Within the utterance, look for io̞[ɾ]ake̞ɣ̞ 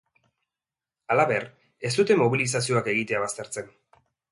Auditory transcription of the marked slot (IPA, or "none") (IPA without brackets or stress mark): none